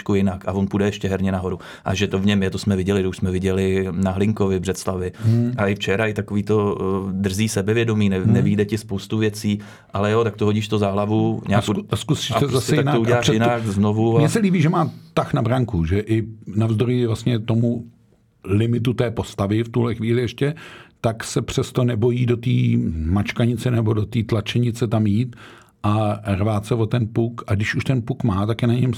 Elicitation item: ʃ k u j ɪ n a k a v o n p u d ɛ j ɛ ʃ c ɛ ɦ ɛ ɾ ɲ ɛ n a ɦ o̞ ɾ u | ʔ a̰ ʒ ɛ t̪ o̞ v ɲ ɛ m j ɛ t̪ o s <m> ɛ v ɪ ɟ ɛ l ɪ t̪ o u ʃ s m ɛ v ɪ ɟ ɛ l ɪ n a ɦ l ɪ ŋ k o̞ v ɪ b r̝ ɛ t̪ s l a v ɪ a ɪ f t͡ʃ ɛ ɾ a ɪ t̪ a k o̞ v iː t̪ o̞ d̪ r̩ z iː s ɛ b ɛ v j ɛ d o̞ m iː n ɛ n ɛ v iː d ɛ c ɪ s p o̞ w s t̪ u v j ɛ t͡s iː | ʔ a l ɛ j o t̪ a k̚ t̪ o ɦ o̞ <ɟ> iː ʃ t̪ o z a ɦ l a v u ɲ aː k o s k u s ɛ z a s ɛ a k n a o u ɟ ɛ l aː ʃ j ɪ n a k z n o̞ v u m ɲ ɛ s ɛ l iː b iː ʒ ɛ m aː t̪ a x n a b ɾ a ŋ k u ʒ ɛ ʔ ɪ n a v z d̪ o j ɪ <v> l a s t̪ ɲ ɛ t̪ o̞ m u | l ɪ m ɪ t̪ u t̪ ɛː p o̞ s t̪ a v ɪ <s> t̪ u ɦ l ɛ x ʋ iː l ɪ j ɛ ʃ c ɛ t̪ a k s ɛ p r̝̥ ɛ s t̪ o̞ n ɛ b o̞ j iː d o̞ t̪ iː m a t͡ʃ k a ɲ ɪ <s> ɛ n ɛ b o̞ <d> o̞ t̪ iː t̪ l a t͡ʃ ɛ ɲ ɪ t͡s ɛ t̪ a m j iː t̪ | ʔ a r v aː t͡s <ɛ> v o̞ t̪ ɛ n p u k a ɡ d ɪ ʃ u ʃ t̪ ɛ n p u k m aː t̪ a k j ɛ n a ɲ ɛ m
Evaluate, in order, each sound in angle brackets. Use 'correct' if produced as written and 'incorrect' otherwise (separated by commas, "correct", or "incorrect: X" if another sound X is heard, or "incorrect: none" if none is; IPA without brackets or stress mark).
correct, correct, correct, incorrect: f, incorrect: t͡s, correct, correct